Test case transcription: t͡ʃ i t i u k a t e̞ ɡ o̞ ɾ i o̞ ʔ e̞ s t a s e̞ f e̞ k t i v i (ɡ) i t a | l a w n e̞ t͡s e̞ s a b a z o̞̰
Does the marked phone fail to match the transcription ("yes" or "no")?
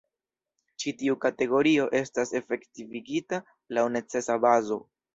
no